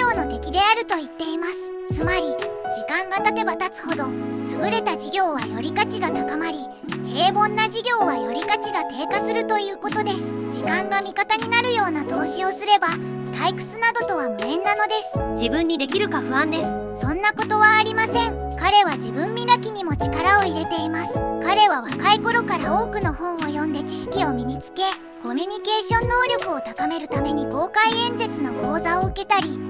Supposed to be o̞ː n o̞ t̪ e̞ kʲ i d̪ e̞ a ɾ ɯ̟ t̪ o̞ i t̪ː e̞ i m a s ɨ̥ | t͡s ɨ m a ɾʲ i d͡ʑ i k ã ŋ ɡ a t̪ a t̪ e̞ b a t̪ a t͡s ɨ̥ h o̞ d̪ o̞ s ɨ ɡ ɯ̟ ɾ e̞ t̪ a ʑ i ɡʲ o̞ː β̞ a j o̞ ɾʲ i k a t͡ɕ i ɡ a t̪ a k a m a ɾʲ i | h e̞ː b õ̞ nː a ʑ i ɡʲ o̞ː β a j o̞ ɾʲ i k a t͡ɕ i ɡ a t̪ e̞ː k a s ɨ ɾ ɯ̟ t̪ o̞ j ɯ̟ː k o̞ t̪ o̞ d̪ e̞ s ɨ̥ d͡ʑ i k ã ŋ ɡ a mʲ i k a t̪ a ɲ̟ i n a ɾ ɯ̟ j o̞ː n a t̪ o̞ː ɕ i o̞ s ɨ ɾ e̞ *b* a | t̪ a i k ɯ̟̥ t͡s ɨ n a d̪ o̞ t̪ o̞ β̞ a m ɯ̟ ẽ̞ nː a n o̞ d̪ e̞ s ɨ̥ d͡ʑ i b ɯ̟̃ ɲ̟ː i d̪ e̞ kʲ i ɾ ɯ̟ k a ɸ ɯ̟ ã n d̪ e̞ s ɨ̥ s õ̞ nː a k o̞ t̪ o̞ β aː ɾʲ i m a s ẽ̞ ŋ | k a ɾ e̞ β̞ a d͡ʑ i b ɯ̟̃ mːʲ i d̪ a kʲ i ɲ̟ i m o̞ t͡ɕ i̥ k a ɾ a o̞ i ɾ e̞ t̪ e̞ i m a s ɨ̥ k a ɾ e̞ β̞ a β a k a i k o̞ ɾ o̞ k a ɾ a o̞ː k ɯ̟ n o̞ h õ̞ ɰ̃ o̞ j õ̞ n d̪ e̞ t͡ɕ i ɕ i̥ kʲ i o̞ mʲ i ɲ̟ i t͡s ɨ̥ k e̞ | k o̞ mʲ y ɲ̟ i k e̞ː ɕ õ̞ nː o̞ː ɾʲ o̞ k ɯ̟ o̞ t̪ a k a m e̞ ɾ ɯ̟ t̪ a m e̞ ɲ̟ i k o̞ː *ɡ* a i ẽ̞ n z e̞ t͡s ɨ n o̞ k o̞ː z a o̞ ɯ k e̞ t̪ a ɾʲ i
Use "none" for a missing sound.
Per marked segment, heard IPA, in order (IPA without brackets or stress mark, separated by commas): b, k